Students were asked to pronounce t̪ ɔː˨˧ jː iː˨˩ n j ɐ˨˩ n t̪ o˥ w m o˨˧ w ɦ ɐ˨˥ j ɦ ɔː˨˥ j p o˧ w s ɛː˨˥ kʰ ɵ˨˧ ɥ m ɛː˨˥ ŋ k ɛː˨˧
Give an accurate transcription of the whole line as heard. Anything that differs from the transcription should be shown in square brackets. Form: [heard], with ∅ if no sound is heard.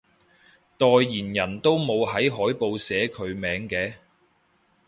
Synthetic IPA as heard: t̪ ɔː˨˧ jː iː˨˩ n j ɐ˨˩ n t̪ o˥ w m o˨˧ w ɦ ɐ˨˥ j ɦ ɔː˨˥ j p o˧ w s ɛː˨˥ kʰ ɵ˨˧ ɥ m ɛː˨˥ ŋ k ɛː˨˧

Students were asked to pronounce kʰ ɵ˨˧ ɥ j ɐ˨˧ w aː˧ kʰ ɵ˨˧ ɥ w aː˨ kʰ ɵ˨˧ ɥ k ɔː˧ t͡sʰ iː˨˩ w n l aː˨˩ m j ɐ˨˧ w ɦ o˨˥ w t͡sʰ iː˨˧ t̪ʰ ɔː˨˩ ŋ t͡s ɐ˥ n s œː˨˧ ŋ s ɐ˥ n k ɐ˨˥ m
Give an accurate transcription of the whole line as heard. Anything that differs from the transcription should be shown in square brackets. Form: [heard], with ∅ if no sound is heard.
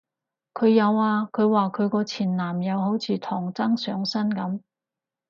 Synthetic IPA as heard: kʰ ɵ˨˧ ɥ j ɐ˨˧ w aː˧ kʰ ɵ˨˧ ɥ w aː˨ kʰ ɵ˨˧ ɥ k ɔː˧ t͡sʰ iː˨˩ [∅] n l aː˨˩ m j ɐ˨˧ w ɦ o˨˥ w t͡sʰ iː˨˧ t̪ʰ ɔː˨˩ ŋ t͡s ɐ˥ [ŋ] s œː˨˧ ŋ s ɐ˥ n k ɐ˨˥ m

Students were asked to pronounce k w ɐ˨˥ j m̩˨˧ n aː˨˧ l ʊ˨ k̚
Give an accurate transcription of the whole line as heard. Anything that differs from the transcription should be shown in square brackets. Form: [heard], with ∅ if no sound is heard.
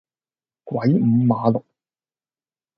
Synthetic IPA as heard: k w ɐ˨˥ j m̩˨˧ [m] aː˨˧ l ʊ˨ k̚

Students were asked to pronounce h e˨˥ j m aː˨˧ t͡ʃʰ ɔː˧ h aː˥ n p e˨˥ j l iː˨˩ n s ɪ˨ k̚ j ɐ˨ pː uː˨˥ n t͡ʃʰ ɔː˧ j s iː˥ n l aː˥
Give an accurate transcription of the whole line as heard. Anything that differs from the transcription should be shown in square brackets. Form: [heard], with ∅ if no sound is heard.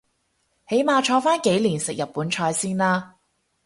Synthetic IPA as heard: h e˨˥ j m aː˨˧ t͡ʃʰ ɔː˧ [f] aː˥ n [k] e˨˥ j l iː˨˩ n s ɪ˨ k̚ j ɐ˨ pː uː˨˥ n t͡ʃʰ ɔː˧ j s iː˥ n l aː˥

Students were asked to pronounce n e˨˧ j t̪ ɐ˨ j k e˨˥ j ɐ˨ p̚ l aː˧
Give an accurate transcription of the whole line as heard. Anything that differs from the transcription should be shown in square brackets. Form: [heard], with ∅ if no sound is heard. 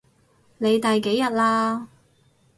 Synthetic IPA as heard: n e˨˧ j t̪ ɐ˨ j k e˨˥ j ɐ˨ [t̚] l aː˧

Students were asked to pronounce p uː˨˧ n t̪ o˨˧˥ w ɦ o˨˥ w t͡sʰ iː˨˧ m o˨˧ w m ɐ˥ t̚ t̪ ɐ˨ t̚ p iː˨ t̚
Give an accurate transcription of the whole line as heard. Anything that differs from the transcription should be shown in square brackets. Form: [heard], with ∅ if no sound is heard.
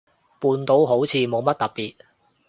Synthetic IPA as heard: p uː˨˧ n t̪ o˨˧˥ w ɦ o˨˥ w t͡sʰ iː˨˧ m o˨˧ w m ɐ˥ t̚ t̪ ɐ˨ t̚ p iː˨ t̚

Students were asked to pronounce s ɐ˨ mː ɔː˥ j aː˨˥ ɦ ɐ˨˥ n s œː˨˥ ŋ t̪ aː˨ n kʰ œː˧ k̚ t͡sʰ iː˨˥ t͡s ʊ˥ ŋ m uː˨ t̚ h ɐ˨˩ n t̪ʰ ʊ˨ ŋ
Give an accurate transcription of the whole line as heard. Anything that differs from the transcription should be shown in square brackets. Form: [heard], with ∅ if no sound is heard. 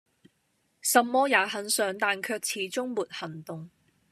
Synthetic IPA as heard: s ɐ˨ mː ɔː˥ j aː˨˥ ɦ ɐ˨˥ n s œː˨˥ ŋ t̪ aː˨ n kʰ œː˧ k̚ t͡sʰ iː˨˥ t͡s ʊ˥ ŋ m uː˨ t̚ h ɐ˨˩ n [t̪] ʊ˨ ŋ

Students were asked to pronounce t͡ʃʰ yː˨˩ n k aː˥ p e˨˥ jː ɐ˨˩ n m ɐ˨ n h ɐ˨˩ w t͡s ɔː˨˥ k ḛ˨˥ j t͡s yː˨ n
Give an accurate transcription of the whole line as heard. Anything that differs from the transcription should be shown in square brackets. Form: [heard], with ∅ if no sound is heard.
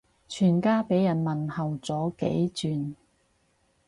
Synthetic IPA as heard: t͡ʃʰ yː˨˩ n k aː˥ p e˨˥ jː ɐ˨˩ n m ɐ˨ n h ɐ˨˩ w t͡s ɔː˨˥ k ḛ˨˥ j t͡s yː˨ n

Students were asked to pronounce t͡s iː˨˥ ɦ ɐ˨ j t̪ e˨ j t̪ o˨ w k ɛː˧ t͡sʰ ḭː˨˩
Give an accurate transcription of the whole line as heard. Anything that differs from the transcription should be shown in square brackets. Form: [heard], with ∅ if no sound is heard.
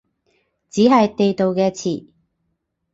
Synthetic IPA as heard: t͡s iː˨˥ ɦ ɐ˨ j t̪ e˨ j t̪ o˨ w k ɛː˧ t͡sʰ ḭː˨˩

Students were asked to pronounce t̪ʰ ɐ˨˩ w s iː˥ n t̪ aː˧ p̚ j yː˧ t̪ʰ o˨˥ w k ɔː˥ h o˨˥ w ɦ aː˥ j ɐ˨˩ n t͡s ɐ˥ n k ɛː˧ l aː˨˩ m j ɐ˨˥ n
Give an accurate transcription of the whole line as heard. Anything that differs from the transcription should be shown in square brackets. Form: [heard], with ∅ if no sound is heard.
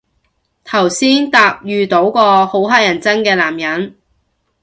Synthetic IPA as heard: t̪ʰ ɐ˨˩ w s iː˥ n t̪ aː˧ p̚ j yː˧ [t̪] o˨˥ w k [ɔː˧] h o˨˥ w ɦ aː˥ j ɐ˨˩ n t͡s ɐ˥ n k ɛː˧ l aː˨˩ m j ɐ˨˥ n

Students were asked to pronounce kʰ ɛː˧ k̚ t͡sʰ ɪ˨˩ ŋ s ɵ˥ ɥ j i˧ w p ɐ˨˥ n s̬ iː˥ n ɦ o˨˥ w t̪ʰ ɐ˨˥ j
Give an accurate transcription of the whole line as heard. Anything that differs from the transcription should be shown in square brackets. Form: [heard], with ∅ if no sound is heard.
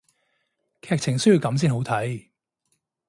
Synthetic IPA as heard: kʰ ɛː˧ k̚ t͡sʰ ɪ˨˩ ŋ s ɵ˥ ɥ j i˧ w [k] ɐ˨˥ [m] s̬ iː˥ n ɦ o˨˥ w t̪ʰ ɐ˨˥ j

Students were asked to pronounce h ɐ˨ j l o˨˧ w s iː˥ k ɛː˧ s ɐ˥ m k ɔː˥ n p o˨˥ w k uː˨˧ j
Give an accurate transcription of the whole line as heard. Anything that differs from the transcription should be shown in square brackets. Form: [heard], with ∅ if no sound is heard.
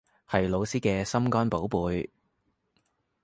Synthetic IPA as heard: h ɐ˨ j l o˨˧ w s iː˥ k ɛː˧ s ɐ˥ m k ɔː˥ n p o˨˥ w [p] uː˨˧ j

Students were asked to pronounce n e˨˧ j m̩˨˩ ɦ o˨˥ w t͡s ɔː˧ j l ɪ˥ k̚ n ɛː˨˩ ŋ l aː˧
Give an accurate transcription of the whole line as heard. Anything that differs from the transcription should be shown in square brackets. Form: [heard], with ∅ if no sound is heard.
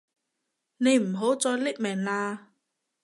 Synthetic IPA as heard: n e˨˧ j m̩˨˩ ɦ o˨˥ w t͡s ɔː˧ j l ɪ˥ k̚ [m] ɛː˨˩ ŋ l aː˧

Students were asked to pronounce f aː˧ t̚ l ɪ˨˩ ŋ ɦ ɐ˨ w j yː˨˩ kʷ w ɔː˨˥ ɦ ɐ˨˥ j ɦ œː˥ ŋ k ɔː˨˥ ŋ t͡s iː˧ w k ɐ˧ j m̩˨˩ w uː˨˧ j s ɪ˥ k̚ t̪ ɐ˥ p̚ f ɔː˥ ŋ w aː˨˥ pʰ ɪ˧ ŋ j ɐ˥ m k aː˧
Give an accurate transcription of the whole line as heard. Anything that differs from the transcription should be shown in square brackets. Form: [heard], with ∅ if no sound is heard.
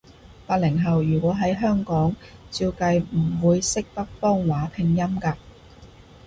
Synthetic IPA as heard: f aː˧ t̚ l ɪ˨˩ ŋ ɦ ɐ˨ w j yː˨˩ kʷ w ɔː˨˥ ɦ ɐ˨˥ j ɦ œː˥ ŋ k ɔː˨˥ ŋ t͡s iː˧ w k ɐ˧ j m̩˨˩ w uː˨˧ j s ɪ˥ k̚ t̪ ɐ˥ [k̚] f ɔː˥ ŋ w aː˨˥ pʰ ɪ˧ ŋ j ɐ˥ m k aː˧

